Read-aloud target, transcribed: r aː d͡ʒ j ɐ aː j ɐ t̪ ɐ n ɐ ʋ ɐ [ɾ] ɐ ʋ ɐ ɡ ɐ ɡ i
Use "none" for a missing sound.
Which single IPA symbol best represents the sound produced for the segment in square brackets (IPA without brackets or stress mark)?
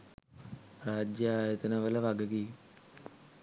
l